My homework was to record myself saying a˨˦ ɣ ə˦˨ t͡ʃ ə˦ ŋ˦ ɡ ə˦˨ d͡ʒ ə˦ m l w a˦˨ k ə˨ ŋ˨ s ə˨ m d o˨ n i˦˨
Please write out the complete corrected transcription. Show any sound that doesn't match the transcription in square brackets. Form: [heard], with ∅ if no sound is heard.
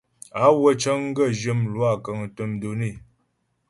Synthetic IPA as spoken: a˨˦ [w] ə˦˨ t͡ʃ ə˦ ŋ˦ ɡ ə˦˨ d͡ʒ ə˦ m l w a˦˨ k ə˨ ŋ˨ [t] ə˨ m d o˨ n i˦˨